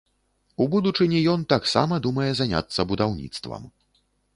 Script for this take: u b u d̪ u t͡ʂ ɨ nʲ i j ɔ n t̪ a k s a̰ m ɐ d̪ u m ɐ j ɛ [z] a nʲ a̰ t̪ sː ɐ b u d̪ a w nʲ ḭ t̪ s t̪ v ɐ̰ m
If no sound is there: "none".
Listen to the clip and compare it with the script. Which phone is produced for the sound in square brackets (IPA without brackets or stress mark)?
z